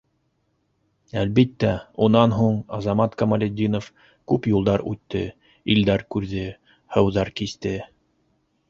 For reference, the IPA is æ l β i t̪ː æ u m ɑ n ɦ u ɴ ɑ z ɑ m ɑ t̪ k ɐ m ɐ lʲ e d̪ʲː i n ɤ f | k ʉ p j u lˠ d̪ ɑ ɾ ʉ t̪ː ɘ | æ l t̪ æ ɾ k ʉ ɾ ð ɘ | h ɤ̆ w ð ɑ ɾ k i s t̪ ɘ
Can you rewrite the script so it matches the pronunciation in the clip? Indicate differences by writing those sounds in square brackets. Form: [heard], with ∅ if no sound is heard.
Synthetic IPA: æ l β i t̪ː æ u [n] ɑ n ɦ u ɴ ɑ z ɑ m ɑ t̪ k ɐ m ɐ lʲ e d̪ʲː i n [o] f | k ʉ p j u lˠ d̪ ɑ ɾ ʉ t̪ː ɘ | [i] l [d̪] æ ɾ k ʉ ɾ ð ɘ | h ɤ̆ w ð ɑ ɾ k i s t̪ ɘ